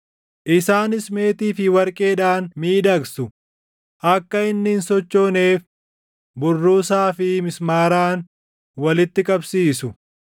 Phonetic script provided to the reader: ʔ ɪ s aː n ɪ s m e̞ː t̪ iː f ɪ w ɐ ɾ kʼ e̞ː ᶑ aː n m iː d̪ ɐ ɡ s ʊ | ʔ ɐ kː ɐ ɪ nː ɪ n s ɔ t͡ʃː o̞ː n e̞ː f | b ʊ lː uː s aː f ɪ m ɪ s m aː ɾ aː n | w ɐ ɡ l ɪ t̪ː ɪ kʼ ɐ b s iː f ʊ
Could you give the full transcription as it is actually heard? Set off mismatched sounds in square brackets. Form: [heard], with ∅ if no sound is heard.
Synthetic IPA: ʔ ɪ s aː n ɪ s m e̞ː t̪ iː f ɪ w ɐ ɾ kʼ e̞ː ᶑ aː n m iː d̪ ɐ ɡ s ʊ | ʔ ɐ kː ɐ ɪ nː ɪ n s ɔ t͡ʃː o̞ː n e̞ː f | b ʊ [rː] uː s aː f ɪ m ɪ s m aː ɾ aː n | w ɐ [∅] l ɪ t̪ː ɪ kʼ ɐ b s iː [s] ʊ

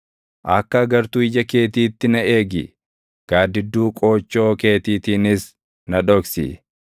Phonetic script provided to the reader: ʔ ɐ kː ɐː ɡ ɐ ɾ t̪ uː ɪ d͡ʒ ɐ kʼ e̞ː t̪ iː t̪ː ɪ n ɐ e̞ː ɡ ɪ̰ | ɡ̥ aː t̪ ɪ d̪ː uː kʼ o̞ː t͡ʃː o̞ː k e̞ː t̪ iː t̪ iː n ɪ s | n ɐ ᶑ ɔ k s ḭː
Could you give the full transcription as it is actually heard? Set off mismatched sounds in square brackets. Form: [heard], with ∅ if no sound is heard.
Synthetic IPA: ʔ ɐ kː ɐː ɡ ɐ ɾ t̪ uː ɪ d͡ʒ ɐ [k] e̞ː t̪ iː t̪ː ɪ n ɐ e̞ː ɡ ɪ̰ | ɡ̥ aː [d̪] ɪ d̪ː uː kʼ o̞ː t͡ʃː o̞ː k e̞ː t̪ iː t̪ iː n ɪ s | n ɐ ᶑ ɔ k s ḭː

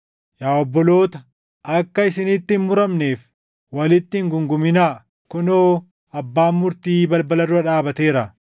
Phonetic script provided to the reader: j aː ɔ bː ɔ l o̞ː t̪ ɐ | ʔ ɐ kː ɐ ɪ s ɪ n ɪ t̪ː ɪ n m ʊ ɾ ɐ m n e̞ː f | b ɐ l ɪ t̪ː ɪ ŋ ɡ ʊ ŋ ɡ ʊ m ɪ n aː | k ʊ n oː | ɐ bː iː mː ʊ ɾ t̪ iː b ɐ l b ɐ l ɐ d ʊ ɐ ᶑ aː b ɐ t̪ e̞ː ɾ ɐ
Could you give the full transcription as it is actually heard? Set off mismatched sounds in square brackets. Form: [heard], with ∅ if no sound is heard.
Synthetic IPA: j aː ɔ bː ɔ l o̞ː t̪ ɐ | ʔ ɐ kː ɐ ɪ s ɪ n ɪ t̪ː ɪ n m ʊ ɾ ɐ m n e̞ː f | [w] ɐ l ɪ t̪ː ɪ ŋ ɡ ʊ ŋ ɡ ʊ m ɪ n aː | k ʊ n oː | ɐ bː [aː] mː ʊ ɾ t̪ iː b ɐ l b ɐ l ɐ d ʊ ɐ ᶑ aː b ɐ t̪ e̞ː ɾ ɐ

